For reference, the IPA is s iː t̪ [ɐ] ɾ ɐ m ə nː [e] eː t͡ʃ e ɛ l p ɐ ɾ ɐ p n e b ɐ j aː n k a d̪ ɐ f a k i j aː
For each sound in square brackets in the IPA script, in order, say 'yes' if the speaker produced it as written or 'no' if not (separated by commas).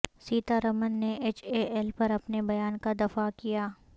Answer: no, yes